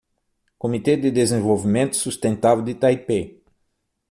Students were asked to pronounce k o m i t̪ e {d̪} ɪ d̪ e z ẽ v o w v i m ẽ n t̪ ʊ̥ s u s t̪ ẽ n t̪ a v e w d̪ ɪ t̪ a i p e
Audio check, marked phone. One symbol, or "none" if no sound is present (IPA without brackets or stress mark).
d̪